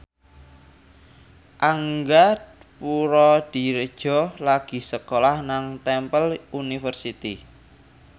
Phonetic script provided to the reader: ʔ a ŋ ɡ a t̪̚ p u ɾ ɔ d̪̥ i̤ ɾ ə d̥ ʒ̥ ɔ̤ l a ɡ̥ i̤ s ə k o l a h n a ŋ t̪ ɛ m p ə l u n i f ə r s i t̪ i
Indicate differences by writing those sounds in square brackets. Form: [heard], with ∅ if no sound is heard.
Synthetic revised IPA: ʔ a ŋ ɡ a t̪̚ p u ɾ ɔ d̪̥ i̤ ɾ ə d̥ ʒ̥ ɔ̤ l a ɡ̥ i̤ s ə k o l a h n a ŋ t̪ ɛ m p ə l u n i f ə r s i t̪ i